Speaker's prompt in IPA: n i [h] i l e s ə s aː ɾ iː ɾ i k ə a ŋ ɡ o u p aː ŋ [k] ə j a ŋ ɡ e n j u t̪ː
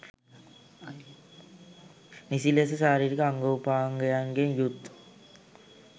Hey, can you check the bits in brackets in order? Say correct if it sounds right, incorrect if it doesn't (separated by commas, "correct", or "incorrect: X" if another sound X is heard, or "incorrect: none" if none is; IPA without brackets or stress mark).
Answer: incorrect: s, incorrect: ɡ